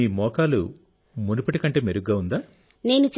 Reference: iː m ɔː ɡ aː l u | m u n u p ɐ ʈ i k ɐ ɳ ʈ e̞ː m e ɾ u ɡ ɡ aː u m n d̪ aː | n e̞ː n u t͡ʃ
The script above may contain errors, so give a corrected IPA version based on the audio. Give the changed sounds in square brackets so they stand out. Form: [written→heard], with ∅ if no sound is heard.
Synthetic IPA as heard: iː m ɔː [ɡ→k] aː l u | m u n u p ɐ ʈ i k ɐ ɳ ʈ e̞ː m e ɾ u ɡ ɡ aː u [m→∅] n d̪ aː | n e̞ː n u t͡ʃ